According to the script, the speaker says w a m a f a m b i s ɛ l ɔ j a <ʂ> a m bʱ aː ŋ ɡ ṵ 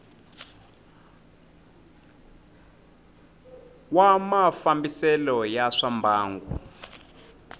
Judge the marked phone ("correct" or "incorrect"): correct